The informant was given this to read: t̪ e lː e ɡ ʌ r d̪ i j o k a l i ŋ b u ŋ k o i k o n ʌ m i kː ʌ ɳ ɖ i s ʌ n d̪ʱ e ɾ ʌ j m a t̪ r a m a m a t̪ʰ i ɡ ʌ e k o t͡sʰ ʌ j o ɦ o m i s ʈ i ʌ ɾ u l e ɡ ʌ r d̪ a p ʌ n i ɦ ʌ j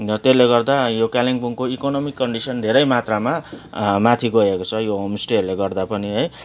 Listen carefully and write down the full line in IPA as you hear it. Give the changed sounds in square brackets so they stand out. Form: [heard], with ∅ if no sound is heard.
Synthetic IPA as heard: t̪ e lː e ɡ ʌ r d̪ [a] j o k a l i ŋ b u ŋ k o i k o n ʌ m i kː ʌ ɳ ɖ i s ʌ n d̪ʱ e ɾ ʌ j m a t̪ r a m a m a t̪ʰ i ɡ ʌ e k o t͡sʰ ʌ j o ɦ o m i s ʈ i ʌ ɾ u l e ɡ ʌ r d̪ a p ʌ n i ɦ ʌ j